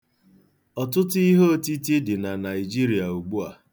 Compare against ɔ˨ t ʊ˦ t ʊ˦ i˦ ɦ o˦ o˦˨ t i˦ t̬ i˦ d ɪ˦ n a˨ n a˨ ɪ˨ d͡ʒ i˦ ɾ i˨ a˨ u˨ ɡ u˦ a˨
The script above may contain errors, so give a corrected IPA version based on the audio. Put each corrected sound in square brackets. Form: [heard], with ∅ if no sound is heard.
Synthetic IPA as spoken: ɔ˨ t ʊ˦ t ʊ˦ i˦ ɦ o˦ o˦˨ t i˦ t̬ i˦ d [ɪ˨] n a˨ n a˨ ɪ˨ d͡ʒ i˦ ɾ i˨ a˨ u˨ [ɡ͡b] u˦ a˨